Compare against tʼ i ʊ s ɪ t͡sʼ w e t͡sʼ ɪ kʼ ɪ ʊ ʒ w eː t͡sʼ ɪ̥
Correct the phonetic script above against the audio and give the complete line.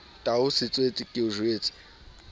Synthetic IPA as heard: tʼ a ʊ s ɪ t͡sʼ w e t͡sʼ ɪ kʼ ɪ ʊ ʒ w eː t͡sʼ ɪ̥